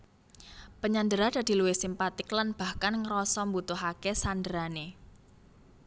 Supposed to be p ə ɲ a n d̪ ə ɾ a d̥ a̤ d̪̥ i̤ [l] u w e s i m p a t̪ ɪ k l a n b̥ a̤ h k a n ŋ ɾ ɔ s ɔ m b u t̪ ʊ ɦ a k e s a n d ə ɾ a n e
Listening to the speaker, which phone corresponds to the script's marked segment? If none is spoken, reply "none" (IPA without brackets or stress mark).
l